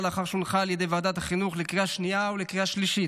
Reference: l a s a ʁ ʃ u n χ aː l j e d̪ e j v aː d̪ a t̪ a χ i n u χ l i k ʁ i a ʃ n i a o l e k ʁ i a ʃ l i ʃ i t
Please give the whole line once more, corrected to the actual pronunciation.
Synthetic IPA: l a χ a ʁ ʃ u n χ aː l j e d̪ e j v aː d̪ a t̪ a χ i n u χ l e k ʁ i a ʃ n i a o l e k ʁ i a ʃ l i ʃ i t